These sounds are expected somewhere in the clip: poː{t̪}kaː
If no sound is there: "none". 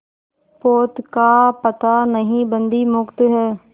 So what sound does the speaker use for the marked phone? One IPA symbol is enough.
t̪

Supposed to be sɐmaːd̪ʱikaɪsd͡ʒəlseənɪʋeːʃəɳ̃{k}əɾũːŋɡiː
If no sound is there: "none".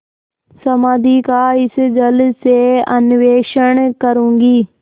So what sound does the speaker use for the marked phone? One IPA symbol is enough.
k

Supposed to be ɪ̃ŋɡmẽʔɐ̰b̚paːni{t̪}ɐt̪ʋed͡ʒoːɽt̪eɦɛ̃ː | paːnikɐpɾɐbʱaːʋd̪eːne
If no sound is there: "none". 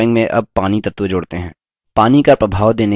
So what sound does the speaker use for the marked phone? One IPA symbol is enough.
t̪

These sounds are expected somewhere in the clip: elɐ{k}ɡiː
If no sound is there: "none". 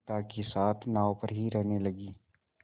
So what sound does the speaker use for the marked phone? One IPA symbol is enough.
none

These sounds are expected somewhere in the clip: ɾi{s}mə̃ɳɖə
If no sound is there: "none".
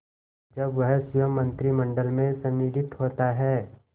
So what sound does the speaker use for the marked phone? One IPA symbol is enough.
none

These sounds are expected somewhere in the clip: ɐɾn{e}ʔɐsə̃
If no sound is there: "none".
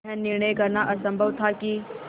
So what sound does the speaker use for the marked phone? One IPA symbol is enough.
a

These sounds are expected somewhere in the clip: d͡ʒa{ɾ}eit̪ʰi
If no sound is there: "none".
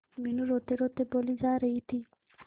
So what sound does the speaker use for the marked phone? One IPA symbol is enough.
ɾ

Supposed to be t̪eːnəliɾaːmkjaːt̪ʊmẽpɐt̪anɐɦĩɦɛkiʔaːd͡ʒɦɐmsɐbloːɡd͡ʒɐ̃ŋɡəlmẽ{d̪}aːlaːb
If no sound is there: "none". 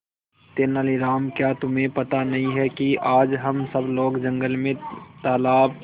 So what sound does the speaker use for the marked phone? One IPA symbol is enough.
t̪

